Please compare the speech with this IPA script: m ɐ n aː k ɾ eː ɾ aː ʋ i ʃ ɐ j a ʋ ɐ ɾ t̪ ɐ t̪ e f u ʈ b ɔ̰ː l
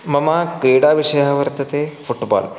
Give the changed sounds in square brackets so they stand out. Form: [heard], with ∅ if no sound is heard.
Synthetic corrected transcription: m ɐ [m] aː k ɾ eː [ɽ] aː ʋ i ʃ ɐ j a ʋ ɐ ɾ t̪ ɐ t̪ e f u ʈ b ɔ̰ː l

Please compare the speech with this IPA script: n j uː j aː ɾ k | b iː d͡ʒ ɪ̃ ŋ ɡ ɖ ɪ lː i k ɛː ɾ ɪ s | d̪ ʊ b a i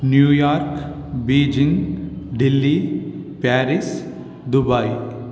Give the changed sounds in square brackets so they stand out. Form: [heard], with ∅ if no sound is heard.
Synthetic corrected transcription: n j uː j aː ɾ k | b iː d͡ʒ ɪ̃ ŋ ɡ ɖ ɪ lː i [p] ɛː ɾ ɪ s | d̪ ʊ b a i

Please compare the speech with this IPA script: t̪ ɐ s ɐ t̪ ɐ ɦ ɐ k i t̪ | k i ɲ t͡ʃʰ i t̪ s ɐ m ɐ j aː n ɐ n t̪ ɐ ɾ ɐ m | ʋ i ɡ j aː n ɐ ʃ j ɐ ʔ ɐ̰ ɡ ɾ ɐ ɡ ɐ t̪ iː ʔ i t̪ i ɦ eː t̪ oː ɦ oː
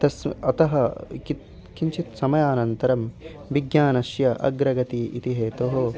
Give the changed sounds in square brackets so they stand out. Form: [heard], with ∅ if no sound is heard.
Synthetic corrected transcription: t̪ ɐ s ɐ t̪ ɐ ɦ ɐ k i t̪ | k i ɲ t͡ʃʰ i t̪ s ɐ m ɐ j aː n ɐ n t̪ ɐ ɾ ɐ m | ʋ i ɡ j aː n ɐ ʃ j ɐ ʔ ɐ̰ ɡ ɾ ɐ ɡ ɐ t̪ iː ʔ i t̪ i ɦ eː t̪ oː ɦ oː

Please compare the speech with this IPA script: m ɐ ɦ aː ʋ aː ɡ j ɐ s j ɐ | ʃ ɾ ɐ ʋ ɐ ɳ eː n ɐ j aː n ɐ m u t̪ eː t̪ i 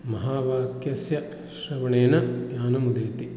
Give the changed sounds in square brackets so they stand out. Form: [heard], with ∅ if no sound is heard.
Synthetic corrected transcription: m ɐ ɦ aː ʋ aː [k] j ɐ s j ɐ | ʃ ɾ ɐ ʋ ɐ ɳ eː n ɐ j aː n ɐ m u [d̪] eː t̪ i

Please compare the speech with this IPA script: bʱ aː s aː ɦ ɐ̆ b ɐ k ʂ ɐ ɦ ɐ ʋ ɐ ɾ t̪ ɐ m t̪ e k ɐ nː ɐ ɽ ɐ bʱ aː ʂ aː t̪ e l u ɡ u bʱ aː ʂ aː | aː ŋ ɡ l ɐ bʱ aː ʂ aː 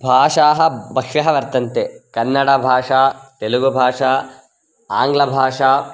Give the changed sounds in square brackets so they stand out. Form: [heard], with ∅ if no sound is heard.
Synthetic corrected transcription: bʱ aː [ʂ] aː ɦ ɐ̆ b ɐ k ʂ ɐ ɦ ɐ ʋ ɐ ɾ t̪ ɐ [n] t̪ e k ɐ nː ɐ ɽ ɐ bʱ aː ʂ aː t̪ e l u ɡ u bʱ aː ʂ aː | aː ŋ ɡ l ɐ bʱ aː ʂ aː

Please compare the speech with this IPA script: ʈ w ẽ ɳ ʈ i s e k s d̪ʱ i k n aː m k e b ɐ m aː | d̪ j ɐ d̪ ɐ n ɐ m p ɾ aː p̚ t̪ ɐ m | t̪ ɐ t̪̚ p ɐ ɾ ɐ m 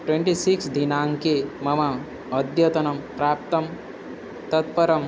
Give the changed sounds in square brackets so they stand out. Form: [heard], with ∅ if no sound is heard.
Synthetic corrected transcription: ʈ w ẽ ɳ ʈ i s [i] k s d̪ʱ i [∅] n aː [ŋ] k e [m] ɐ m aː | d̪ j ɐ [t̪] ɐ n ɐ m p ɾ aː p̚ t̪ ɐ m | t̪ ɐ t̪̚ p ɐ ɾ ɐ m

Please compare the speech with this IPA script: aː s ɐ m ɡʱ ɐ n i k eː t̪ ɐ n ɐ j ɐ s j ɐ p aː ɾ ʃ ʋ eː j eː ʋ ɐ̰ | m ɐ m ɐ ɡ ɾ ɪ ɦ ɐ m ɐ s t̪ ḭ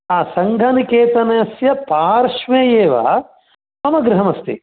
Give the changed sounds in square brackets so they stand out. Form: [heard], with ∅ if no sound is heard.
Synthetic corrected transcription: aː s ɐ [ŋ] ɡʱ ɐ n i k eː t̪ ɐ n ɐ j ɐ s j ɐ p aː ɾ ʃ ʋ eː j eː ʋ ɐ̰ | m ɐ m ɐ ɡ ɾ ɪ ɦ ɐ m ɐ s t̪ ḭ

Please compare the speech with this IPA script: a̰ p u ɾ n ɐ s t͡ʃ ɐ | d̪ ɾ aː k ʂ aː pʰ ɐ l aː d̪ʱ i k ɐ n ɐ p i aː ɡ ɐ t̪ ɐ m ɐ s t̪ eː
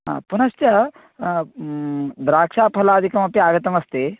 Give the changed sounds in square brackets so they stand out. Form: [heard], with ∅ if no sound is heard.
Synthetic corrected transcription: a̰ p u [∅] n ɐ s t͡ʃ ɐ | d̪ ɾ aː k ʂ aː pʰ ɐ l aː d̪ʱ i k ɐ [m] ɐ p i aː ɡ ɐ t̪ ɐ m ɐ s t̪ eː

